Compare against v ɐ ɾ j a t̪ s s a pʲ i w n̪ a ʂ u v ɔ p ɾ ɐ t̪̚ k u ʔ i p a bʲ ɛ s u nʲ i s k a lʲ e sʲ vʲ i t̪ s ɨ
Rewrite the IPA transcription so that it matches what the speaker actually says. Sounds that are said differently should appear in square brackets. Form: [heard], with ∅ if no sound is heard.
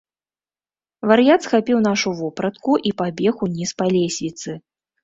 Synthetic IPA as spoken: v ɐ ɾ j a t̪ s [x] a pʲ i w n̪ a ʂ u v ɔ p ɾ ɐ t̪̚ k u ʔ i p a bʲ ɛ [x] u nʲ i s [p] a lʲ e sʲ vʲ i t̪ s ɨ